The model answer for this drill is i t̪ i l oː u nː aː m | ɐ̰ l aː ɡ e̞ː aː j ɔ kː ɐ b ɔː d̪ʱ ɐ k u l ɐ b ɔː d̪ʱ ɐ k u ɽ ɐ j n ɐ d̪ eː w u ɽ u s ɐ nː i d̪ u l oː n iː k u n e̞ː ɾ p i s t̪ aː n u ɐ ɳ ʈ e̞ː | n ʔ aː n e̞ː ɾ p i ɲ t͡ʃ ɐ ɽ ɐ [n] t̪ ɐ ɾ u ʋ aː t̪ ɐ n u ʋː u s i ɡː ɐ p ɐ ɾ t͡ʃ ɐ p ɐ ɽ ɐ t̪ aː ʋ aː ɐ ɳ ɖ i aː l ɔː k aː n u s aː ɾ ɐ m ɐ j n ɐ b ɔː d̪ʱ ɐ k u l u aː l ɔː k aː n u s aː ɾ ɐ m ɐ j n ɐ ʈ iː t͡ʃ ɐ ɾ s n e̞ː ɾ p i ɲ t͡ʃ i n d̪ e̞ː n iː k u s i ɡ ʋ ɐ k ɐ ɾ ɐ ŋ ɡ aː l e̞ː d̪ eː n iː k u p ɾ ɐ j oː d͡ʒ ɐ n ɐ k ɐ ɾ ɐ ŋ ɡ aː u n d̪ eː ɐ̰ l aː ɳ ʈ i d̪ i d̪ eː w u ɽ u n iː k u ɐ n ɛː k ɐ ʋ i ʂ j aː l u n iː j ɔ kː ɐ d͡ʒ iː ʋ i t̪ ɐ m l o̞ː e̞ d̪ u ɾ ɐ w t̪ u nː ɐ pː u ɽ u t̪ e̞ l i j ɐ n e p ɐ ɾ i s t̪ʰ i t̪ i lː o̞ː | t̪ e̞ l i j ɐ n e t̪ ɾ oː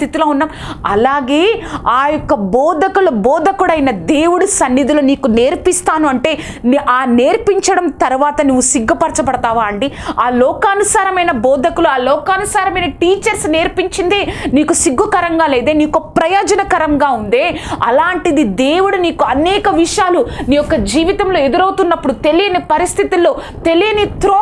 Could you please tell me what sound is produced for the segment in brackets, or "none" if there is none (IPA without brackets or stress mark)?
m